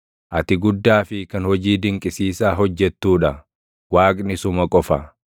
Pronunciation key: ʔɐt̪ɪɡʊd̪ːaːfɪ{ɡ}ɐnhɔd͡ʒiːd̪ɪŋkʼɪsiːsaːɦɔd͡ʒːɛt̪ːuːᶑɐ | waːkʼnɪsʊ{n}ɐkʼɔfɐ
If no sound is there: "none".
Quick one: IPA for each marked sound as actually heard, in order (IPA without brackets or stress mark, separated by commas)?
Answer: k, m